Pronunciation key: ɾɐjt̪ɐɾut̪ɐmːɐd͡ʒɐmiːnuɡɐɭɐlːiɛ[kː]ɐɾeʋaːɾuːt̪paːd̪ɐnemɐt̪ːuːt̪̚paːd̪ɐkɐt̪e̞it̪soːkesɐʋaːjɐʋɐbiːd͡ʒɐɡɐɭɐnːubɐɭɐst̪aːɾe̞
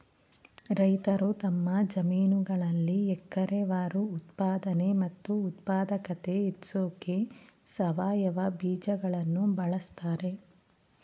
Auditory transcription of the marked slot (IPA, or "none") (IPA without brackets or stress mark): kː